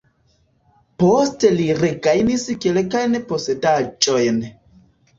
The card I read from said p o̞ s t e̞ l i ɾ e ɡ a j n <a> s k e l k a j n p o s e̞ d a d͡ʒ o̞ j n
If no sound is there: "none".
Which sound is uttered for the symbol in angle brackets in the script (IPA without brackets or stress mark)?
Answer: i